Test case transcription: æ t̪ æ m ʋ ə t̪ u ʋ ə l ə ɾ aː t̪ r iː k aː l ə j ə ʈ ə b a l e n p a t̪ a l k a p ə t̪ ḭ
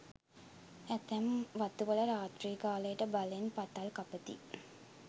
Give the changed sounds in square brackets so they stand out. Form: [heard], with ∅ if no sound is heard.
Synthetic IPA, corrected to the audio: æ t̪ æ m ʋ [a] t̪ u ʋ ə l ə ɾ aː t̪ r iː k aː l ə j ə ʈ ə b a l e n p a t̪ a l k a p ə t̪ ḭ